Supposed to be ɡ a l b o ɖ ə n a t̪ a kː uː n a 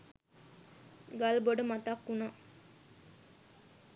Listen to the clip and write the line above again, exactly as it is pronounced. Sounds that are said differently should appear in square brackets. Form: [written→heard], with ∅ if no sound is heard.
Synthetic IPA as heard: ɡ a l b o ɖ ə [n→m] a t̪ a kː [uː→u] n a